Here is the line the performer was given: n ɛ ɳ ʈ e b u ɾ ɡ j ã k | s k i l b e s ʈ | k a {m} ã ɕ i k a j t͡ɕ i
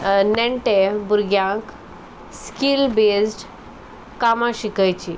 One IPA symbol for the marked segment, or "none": m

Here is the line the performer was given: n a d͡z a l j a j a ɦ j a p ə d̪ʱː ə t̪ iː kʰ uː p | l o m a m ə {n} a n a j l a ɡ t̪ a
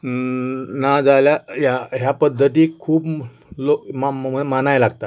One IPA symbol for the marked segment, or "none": m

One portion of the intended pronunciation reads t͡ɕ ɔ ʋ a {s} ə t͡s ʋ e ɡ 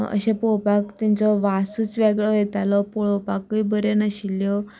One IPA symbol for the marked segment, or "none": s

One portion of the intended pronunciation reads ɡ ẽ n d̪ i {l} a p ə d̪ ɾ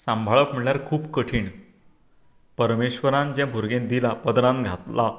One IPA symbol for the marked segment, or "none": l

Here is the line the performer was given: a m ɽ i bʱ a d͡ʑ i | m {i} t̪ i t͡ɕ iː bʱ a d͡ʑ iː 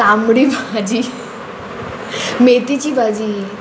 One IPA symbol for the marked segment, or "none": e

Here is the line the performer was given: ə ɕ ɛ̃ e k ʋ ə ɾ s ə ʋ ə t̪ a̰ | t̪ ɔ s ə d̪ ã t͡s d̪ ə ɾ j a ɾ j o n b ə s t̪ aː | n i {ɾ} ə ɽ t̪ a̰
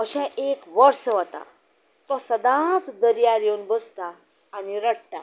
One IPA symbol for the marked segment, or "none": ɾ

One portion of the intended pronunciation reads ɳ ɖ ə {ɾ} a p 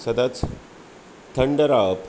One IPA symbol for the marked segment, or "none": ɾ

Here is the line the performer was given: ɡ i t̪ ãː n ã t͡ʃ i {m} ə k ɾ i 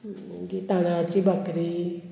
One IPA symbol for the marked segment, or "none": b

